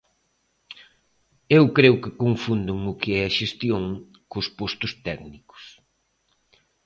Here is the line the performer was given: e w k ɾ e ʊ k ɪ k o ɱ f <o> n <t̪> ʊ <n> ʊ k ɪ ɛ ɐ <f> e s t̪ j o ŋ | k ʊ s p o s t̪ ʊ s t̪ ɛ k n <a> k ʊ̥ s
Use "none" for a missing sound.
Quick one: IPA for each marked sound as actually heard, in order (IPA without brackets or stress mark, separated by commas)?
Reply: u, d̪, ŋ, ʃ, i